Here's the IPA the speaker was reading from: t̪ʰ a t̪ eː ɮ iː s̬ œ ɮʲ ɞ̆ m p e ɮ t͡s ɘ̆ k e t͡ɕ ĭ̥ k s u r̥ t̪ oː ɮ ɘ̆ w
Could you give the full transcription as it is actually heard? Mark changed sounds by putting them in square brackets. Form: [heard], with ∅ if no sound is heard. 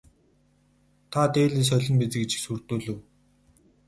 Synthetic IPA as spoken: t̪ʰ a t̪ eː ɮ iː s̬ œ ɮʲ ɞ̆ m p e [∅] t͡s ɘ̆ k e t͡ɕ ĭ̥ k s u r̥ t̪ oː ɮ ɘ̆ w